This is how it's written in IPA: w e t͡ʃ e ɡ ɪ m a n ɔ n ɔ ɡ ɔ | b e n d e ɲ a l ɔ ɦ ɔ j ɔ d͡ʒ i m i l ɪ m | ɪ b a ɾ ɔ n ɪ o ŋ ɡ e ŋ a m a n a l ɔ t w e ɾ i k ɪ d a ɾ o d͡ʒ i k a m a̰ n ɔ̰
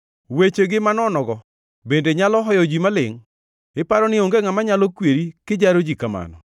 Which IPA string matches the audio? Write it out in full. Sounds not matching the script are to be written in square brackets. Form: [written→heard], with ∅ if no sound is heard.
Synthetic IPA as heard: w e t͡ʃ e ɡ ɪ m a n ɔ n ɔ ɡ ɔ | b e n d e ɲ a l ɔ ɦ ɔ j ɔ d͡ʒ i m [i→a] l ɪ [m→ŋ] | ɪ [b→p] a ɾ ɔ n ɪ o ŋ ɡ e ŋ a m a [n→ɲ] a l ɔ [t→k] w e ɾ i k ɪ [d→d͡ʒ] a ɾ o d͡ʒ i k a m a̰ n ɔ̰